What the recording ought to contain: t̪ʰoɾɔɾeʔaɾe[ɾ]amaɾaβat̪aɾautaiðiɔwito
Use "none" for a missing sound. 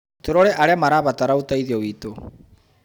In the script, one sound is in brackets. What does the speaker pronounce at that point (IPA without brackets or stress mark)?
none